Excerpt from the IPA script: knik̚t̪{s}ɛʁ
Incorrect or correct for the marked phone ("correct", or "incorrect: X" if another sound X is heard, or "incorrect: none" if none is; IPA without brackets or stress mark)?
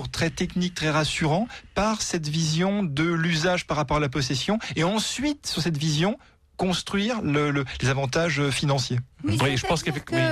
incorrect: χ